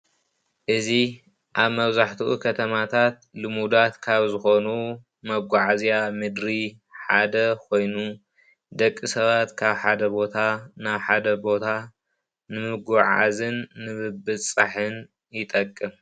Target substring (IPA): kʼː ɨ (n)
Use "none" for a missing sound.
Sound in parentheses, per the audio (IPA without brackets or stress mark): m